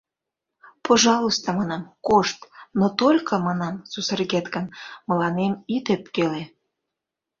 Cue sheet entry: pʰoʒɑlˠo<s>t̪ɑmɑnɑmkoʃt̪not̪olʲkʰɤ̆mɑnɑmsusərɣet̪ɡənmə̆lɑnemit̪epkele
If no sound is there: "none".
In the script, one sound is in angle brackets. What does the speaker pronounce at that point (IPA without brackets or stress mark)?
s